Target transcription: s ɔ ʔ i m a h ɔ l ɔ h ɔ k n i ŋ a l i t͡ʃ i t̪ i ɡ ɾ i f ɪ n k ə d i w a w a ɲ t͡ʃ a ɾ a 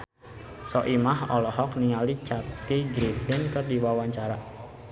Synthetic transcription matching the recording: s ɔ ʔ i m a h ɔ l ɔ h ɔ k n i ŋ a l i t͡ʃ a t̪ i ɡ ɾ i f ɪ n k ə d i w a w a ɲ t͡ʃ a ɾ a